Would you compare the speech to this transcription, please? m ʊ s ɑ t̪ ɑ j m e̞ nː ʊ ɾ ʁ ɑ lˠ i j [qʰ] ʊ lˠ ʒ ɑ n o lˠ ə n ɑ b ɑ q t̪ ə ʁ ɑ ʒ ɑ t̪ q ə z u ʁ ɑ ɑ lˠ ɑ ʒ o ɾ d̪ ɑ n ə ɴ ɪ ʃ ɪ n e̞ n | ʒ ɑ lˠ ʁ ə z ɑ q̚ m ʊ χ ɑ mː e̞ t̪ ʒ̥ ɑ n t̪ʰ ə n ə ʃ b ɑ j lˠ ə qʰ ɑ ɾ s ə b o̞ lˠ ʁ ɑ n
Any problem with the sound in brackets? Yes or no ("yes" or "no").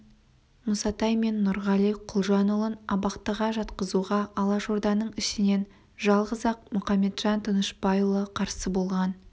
no